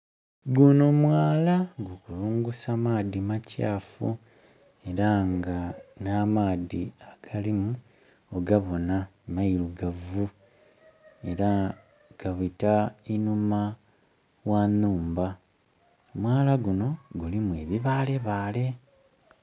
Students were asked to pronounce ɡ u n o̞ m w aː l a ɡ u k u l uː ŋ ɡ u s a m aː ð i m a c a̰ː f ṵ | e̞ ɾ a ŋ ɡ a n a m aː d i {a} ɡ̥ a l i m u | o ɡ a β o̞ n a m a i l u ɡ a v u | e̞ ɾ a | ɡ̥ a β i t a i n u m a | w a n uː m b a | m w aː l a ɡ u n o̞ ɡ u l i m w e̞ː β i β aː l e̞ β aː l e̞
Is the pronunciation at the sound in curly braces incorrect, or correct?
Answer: correct